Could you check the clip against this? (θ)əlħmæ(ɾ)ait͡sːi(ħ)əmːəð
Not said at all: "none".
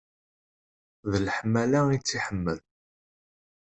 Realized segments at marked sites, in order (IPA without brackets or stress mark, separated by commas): ð, l, ħ